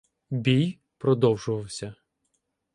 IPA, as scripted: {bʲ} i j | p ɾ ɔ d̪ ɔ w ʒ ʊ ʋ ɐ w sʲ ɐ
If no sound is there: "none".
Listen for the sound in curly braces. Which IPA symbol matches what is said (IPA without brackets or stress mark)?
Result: bʲ